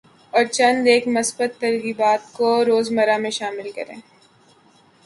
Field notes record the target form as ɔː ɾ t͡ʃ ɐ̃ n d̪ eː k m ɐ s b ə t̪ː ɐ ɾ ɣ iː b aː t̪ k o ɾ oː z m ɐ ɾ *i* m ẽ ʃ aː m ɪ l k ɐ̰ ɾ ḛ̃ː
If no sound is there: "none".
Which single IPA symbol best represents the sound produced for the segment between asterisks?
a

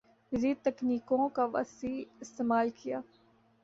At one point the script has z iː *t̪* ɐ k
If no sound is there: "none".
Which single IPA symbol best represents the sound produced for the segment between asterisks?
t̪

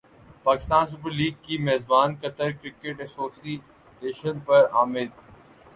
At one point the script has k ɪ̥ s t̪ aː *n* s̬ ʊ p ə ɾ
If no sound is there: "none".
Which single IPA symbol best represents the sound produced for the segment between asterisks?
n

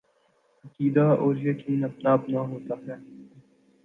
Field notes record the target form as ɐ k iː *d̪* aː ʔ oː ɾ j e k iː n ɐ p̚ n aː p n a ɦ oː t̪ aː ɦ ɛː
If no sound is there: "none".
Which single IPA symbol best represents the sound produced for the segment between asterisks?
d̪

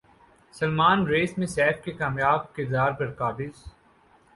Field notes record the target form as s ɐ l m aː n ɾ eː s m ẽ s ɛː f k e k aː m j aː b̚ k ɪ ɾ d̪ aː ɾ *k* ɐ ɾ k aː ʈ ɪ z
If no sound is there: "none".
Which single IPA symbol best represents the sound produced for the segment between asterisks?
p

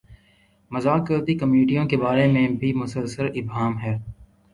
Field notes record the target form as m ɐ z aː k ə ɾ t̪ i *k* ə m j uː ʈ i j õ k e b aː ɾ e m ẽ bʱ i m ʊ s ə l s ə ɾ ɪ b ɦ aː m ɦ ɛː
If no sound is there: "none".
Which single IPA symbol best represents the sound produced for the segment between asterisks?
k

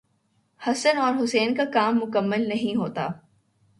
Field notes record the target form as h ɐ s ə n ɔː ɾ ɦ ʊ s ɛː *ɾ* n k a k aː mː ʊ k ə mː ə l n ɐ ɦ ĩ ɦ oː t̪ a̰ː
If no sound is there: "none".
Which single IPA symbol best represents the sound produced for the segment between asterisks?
none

